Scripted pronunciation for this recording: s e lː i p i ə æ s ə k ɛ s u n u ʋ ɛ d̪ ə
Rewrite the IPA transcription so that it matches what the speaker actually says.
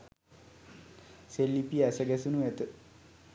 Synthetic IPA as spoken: s e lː i p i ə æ s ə ɡ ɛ s u n u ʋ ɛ t̪ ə

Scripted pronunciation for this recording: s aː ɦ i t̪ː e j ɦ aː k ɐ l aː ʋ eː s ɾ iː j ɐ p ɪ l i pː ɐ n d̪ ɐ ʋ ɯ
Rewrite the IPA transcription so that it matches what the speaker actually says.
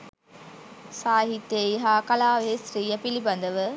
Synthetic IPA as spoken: s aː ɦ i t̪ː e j ɦ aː k ɐ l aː ʋ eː s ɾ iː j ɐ p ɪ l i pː ɐ n d̪ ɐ ʋ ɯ

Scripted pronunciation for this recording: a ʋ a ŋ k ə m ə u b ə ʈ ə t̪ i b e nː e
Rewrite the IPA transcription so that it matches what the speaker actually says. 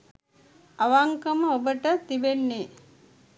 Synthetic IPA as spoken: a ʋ a ŋ k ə m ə o b ə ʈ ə t̪ i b e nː e

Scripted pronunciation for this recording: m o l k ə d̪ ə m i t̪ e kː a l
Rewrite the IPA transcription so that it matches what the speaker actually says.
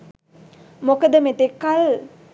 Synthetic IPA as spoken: m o k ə d̪ ə m e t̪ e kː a l

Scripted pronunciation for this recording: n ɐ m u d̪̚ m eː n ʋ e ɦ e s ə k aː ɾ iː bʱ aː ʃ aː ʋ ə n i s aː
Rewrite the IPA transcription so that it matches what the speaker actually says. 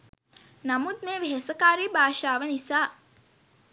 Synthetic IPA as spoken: n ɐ m u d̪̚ m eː ʋ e ɦ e s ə k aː ɾ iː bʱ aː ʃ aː ʋ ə n i s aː

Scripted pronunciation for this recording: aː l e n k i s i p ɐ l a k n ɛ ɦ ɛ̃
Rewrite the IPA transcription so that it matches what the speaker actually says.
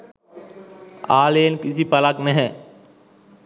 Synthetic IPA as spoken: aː l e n k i s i p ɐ l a k n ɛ ɦ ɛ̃

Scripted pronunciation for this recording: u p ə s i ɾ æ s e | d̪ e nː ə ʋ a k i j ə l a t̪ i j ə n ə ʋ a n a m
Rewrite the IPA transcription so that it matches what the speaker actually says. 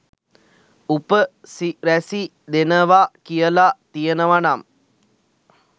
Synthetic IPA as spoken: u p ə s i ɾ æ s i | d̪ e n ə ʋ a k i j ə l a t̪ i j ə n ə ʋ a n a m

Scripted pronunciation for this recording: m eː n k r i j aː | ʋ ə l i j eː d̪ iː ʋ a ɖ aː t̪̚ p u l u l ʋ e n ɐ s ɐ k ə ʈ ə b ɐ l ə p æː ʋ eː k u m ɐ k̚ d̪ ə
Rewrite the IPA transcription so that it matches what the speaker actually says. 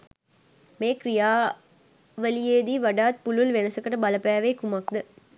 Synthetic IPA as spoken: m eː k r i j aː | ʋ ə l i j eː d̪ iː ʋ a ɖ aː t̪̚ p u l u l ʋ e n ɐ s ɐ k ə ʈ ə b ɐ l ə p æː ʋ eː k u m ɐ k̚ d̪ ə

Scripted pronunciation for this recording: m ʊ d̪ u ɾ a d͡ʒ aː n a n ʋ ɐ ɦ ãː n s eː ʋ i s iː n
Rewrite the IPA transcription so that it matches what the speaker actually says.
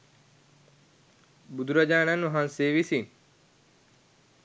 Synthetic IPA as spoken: b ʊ d̪ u ɾ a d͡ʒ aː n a n ʋ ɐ ɦ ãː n s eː ʋ i s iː n

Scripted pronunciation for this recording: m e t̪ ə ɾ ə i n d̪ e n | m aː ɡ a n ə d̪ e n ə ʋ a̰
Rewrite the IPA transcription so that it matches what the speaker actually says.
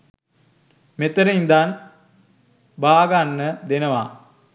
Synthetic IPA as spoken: m e t̪ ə ɾ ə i n d̪ a n | b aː ɡ a nː ə d̪ e n ə ʋ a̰

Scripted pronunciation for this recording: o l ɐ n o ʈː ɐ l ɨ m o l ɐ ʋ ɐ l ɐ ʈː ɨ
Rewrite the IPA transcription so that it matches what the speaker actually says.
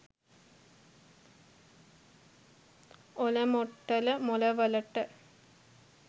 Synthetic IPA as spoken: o l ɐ m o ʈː ɐ l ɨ m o l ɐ ʋ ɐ l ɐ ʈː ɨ

